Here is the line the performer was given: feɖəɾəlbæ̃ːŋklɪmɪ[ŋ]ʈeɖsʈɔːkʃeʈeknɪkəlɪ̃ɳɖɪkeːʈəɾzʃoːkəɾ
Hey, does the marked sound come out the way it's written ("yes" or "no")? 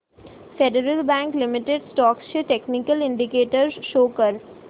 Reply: no